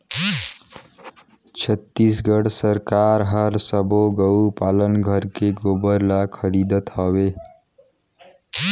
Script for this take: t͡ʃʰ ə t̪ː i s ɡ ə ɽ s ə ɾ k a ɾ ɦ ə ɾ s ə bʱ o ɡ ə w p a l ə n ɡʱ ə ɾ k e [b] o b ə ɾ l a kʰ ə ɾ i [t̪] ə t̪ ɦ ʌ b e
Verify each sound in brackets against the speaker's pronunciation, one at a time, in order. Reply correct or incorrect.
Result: incorrect: ɡ, incorrect: d̪

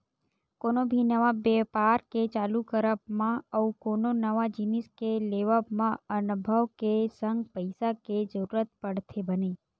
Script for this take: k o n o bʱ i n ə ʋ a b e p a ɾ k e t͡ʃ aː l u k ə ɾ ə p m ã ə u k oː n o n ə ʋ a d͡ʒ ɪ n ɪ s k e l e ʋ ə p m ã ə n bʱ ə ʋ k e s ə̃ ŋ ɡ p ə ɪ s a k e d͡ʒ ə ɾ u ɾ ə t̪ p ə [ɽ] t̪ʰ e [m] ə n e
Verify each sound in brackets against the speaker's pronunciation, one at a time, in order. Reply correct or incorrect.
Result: correct, incorrect: b

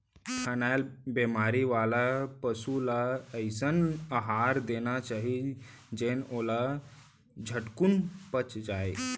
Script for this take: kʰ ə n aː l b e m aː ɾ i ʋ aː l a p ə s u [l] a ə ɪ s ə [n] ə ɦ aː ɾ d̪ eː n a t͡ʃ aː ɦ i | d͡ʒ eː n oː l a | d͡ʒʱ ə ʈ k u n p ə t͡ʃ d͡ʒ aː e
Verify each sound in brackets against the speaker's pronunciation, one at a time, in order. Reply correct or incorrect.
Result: correct, correct

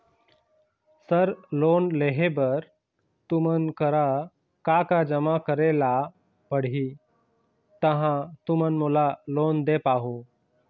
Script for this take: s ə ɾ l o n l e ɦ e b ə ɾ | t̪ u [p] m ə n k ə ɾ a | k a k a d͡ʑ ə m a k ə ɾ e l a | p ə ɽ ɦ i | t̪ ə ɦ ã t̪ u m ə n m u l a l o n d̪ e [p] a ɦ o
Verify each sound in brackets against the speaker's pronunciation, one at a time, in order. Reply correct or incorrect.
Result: incorrect: none, correct

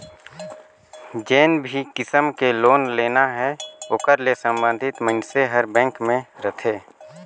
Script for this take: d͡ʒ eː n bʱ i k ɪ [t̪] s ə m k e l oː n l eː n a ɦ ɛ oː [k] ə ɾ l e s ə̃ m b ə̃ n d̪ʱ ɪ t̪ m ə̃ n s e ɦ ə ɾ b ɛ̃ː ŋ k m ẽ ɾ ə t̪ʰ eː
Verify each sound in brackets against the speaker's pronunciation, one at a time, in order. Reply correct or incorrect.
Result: incorrect: none, correct

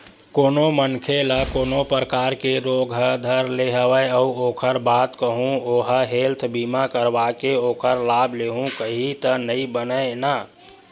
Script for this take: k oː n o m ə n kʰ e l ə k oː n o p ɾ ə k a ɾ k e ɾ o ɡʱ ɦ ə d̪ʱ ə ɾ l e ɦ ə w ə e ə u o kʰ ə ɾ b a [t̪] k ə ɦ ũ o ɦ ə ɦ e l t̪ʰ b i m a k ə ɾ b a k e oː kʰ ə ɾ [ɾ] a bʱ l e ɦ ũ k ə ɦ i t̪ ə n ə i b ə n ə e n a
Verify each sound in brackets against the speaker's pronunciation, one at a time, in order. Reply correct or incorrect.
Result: correct, incorrect: l

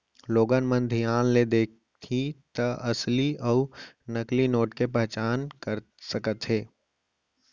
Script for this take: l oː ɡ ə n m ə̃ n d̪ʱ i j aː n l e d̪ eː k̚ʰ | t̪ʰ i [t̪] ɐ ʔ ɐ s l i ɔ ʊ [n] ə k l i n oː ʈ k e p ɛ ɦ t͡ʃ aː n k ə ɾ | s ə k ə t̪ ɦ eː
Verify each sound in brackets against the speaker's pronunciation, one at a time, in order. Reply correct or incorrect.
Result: correct, correct

